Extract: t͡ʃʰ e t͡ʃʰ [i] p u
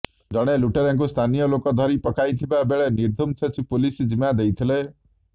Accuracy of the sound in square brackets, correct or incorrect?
correct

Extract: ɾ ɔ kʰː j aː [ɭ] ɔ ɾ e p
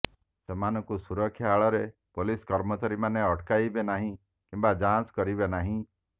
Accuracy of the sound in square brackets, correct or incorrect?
correct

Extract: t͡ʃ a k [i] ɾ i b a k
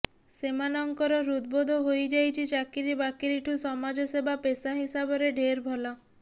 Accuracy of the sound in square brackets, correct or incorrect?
correct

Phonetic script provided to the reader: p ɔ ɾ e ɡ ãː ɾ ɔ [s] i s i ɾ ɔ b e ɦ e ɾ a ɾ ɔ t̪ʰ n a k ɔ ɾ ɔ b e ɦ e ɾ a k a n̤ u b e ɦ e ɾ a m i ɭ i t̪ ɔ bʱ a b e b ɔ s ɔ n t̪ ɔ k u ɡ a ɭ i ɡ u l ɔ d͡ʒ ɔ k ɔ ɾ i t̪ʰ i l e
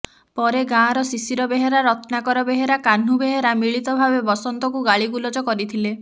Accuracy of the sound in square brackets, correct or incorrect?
correct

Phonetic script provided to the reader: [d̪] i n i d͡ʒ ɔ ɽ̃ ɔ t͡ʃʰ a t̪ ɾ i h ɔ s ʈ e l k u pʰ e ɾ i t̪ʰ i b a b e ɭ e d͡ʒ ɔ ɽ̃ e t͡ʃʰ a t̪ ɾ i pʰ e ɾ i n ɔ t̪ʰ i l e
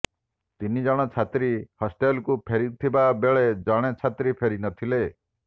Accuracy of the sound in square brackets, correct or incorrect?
incorrect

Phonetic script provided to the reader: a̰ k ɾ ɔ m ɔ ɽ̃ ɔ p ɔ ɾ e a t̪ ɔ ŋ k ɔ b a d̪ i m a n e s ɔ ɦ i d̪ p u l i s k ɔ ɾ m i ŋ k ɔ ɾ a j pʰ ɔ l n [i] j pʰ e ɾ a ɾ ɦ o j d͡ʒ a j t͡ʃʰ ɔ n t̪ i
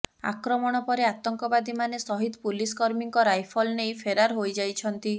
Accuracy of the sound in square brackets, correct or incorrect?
incorrect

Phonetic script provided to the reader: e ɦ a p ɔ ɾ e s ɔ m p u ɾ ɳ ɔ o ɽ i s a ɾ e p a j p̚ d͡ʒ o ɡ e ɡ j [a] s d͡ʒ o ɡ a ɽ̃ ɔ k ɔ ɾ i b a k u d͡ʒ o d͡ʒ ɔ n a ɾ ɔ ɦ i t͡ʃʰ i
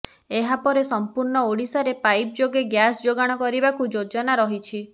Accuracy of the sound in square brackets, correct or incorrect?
correct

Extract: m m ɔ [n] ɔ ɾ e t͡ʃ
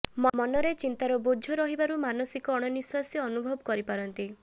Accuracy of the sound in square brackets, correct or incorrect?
correct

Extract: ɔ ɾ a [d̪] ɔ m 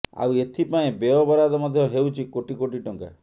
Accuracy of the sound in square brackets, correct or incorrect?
correct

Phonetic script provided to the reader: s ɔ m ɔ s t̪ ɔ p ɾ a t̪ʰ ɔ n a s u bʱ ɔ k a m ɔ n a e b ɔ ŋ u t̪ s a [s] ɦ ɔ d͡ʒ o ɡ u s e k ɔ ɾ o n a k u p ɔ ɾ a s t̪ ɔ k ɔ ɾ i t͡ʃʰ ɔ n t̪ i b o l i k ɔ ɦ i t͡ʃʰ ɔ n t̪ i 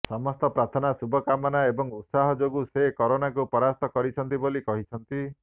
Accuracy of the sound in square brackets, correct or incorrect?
incorrect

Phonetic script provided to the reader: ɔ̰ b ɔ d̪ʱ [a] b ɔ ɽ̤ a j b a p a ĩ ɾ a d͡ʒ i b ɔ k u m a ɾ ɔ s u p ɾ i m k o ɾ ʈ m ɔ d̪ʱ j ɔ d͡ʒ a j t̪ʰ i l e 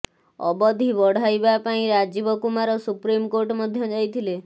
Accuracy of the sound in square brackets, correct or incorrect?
incorrect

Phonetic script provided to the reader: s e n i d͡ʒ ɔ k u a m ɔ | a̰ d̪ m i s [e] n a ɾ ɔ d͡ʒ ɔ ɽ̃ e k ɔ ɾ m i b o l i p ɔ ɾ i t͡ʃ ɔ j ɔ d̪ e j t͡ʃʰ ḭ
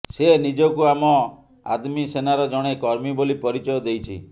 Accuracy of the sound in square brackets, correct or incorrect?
correct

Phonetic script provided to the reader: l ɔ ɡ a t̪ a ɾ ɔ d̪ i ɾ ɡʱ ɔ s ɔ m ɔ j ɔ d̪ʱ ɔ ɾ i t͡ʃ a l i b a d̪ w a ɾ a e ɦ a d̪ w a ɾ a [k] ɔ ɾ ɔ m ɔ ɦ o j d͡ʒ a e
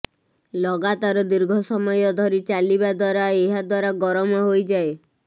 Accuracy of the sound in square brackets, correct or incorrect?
incorrect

